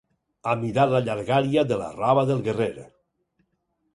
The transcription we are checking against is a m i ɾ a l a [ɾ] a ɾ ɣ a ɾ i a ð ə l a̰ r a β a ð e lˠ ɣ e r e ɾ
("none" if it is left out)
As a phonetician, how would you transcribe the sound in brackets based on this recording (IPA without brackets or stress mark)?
ʎ